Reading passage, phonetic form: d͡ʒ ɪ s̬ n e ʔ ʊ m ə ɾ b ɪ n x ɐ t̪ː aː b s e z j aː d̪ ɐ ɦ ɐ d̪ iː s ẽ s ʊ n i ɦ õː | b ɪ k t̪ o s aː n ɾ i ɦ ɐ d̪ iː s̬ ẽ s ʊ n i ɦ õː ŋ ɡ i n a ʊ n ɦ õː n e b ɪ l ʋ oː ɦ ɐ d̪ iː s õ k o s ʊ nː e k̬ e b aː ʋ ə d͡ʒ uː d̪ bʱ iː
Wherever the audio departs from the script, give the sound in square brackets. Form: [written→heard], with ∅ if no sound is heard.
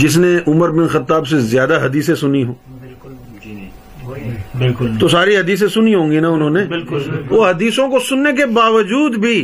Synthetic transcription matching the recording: d͡ʒ ɪ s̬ n e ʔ ʊ m ə ɾ b ɪ n x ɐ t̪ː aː b s e z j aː d̪ [ɐ→a] ɦ ɐ d̪ iː s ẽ s ʊ n i ɦ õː | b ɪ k t̪ o s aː [n→∅] ɾ i ɦ ɐ d̪ iː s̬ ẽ s ʊ n i ɦ õː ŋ ɡ i n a ʊ n ɦ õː n e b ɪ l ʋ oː ɦ ɐ d̪ iː s õ k o s ʊ nː e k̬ e b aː ʋ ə d͡ʒ uː d̪ bʱ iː